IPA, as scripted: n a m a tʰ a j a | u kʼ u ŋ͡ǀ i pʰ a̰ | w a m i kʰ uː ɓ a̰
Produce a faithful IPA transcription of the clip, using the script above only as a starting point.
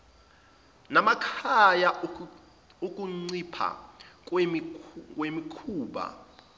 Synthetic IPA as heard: n a m a kʰ a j a | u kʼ u ŋ͡ǀ i pʰ a̰ | w e m i kʰ uː ɓ a̰

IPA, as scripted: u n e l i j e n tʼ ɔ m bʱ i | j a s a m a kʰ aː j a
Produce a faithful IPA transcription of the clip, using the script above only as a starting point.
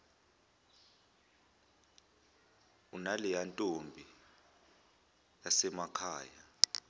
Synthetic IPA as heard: u n a l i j a n tʼ o m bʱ i | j a s ɛ m a kʰ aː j a

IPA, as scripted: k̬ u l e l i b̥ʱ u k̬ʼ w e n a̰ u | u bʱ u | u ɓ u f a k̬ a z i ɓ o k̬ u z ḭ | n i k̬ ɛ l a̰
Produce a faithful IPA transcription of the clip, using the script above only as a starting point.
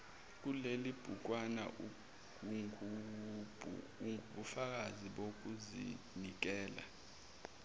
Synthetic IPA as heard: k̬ u l e l i b̥ʱ u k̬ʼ w a n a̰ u | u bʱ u | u ɓ u f a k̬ a z i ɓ o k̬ u z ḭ | n i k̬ ɛː l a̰

